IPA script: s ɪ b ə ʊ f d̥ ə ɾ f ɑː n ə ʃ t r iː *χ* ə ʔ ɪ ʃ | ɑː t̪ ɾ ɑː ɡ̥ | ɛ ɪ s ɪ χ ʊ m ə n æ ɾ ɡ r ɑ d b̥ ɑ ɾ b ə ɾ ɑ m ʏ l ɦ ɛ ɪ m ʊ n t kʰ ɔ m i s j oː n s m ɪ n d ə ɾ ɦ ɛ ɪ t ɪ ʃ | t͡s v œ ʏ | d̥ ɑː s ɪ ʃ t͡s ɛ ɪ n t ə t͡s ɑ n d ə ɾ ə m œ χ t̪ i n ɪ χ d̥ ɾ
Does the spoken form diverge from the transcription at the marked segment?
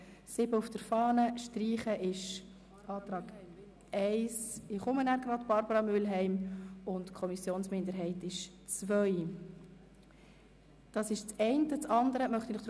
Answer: no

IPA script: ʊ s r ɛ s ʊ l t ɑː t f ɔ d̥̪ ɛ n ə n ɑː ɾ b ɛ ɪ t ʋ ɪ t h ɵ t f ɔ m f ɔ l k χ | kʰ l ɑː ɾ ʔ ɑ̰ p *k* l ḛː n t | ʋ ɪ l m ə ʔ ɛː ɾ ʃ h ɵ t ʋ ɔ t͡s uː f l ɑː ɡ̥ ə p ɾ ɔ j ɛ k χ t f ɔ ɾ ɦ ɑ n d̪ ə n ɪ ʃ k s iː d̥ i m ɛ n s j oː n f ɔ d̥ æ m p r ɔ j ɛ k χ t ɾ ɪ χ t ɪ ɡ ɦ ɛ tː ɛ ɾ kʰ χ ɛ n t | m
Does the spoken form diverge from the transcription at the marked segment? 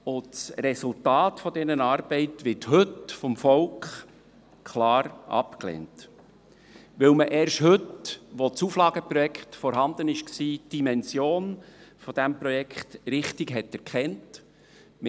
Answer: no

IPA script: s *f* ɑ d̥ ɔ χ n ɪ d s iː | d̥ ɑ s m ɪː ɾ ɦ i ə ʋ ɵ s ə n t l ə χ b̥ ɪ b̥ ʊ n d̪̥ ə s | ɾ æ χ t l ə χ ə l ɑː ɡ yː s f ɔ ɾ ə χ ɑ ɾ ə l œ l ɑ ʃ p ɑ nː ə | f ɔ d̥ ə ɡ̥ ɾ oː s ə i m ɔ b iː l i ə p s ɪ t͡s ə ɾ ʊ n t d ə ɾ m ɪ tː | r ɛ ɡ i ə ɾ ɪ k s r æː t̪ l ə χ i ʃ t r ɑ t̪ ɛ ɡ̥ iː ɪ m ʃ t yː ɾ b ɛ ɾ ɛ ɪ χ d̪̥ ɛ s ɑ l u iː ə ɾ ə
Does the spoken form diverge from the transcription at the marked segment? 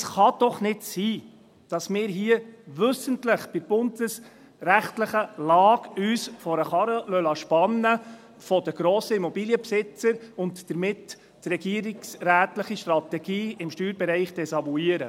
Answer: yes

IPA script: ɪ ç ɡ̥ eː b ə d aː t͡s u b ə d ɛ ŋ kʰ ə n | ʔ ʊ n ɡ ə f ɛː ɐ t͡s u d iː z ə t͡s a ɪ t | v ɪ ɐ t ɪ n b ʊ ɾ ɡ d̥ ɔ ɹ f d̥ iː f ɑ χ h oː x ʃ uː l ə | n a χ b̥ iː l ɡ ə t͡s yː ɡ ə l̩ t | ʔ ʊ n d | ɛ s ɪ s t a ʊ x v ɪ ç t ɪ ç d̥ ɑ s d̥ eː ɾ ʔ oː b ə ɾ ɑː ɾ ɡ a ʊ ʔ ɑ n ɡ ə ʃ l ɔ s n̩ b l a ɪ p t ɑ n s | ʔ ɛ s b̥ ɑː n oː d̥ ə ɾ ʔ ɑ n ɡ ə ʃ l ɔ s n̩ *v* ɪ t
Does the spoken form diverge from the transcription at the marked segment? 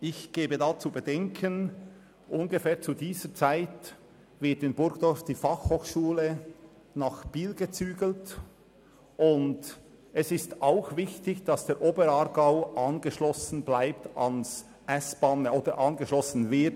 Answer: no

